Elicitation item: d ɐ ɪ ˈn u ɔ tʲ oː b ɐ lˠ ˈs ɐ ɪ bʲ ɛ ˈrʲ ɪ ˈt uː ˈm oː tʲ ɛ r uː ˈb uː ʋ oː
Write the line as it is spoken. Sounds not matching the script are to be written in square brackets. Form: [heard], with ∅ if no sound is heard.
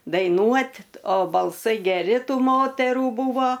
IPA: d ɐ ɪ ˈn u ɔ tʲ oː b ɐ lˠ ˈs ɐ ɪ [ɡʲ] ɛ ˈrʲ ɪ ˈt uː ˈm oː tʲ ɛ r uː ˈb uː ʋ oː